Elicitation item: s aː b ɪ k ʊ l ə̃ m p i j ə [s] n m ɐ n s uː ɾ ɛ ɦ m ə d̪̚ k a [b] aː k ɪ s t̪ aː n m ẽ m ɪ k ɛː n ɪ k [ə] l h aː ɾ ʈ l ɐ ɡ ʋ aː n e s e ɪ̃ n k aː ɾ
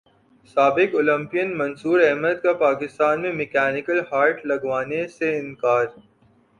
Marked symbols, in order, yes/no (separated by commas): no, no, yes